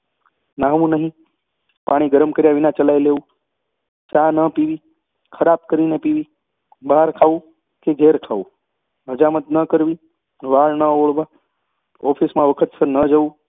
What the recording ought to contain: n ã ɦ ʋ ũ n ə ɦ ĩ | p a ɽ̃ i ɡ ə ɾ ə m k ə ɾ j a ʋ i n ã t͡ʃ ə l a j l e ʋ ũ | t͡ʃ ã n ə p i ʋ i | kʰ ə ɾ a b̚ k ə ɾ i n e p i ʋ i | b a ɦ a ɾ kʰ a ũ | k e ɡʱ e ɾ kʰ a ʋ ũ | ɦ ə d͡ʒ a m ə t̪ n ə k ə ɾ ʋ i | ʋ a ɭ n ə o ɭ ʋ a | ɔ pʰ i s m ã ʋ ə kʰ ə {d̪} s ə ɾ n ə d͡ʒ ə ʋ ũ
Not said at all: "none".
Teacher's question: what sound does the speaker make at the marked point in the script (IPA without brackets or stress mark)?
t̪